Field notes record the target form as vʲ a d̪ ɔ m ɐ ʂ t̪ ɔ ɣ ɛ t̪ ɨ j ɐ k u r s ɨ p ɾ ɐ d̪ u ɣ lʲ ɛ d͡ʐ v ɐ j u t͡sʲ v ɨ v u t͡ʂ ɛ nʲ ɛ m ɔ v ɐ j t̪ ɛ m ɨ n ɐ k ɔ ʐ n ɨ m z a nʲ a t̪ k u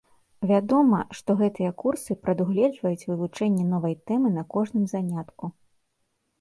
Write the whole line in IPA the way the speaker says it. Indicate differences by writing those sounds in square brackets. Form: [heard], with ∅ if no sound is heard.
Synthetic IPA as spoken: vʲ a d̪ ɔ m ɐ ʂ t̪ ɔ ɣ ɛ t̪ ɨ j ɐ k u r s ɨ p ɾ ɐ d̪ u ɣ lʲ ɛ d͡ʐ v ɐ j u t͡sʲ v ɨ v u t͡ʂ ɛ [nʲː] ɛ [n] ɔ v ɐ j t̪ ɛ m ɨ n ɐ k ɔ ʐ n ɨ m z a nʲ a t̪ k u